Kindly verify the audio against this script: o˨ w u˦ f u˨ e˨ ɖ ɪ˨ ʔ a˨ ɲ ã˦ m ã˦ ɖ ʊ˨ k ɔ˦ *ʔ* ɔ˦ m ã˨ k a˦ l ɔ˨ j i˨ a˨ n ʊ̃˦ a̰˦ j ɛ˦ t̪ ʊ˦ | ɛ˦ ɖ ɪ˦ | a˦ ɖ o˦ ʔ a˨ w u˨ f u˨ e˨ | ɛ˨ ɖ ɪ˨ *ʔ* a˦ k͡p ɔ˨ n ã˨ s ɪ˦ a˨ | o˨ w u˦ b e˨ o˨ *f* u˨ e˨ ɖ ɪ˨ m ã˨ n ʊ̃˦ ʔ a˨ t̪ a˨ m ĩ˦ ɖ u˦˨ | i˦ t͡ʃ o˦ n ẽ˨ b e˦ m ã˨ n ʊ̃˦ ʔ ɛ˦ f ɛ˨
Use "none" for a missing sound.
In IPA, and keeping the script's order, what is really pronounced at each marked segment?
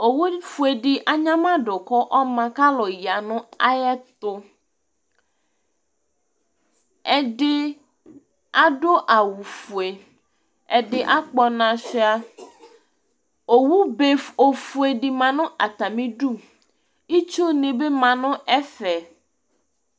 ʔ, ʔ, f

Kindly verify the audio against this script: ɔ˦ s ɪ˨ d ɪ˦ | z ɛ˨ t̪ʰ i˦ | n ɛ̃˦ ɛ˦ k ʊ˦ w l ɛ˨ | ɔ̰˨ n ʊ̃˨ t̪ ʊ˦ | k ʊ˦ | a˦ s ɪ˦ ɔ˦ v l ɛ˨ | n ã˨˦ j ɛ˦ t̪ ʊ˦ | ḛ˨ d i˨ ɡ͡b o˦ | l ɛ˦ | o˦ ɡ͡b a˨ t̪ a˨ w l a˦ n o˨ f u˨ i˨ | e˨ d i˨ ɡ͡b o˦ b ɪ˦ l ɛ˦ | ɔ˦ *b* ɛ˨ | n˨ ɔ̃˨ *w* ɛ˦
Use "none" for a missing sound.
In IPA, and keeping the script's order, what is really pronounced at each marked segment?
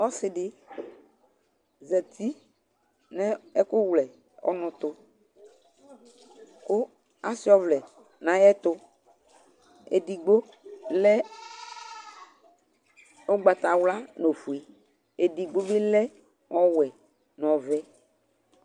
w, v

